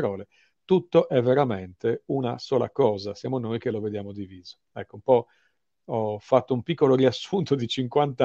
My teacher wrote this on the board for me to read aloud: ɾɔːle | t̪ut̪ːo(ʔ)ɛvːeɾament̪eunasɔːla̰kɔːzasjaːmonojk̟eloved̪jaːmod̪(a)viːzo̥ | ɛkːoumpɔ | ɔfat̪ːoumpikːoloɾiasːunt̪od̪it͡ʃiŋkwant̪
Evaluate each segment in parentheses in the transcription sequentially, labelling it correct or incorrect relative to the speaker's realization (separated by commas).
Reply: correct, incorrect